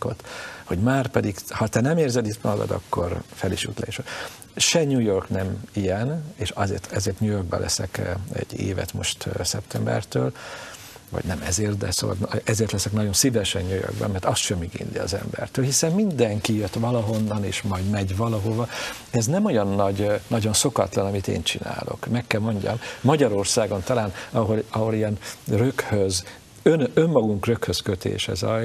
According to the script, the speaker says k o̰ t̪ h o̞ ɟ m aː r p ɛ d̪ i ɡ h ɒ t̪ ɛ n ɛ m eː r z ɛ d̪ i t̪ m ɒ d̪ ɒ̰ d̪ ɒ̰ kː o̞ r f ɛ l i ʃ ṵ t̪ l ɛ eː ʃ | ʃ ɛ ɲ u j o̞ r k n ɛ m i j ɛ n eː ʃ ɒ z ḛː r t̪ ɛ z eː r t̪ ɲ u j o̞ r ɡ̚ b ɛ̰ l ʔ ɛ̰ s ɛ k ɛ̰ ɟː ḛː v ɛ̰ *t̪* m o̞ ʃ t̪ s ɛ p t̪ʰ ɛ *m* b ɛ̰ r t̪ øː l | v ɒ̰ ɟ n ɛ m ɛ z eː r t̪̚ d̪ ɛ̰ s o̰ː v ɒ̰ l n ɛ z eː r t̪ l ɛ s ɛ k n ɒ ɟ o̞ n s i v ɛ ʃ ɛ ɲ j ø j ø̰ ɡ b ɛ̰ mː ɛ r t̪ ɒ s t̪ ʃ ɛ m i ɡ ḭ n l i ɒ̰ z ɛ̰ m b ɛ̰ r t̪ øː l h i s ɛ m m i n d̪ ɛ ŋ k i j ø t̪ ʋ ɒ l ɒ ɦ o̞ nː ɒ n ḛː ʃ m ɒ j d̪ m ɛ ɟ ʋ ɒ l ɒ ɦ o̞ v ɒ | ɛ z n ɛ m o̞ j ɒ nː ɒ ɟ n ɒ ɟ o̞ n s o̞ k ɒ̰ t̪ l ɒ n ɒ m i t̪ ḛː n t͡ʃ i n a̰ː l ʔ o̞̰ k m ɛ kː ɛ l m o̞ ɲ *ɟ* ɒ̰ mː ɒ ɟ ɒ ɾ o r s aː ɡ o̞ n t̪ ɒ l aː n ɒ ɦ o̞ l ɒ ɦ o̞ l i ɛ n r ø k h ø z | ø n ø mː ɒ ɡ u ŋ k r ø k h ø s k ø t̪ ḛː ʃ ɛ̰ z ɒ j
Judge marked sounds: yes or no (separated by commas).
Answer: yes, yes, yes